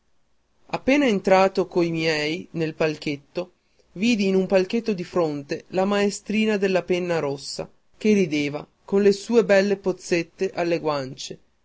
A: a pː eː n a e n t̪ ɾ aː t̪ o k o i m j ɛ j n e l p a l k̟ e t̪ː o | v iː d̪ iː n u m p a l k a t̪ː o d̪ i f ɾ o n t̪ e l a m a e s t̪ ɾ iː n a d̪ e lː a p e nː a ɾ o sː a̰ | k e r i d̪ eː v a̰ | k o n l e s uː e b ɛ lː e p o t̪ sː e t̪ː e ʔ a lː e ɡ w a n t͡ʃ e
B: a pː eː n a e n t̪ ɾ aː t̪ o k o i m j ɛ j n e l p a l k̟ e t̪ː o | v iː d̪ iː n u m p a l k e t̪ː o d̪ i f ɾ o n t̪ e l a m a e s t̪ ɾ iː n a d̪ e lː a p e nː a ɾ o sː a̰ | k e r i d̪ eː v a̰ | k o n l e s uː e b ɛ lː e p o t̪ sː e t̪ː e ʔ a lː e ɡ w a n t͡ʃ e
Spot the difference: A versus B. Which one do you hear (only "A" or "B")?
B